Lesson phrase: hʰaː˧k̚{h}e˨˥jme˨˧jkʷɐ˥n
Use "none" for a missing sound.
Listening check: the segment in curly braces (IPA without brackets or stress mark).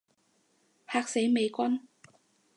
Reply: s